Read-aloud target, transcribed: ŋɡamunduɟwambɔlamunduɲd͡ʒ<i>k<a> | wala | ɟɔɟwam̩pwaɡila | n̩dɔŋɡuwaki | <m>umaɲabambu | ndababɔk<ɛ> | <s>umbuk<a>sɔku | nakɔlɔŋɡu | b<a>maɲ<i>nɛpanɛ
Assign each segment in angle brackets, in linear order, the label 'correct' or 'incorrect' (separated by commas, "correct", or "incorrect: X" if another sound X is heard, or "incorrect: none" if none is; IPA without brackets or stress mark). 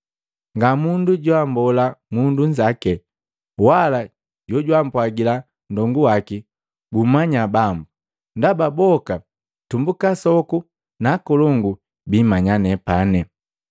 incorrect: a, incorrect: ɛ, incorrect: b, incorrect: a, incorrect: t, correct, incorrect: i, incorrect: a